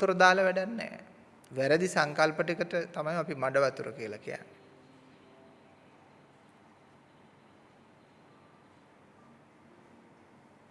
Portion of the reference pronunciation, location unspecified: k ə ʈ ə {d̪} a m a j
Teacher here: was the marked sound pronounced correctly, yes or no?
no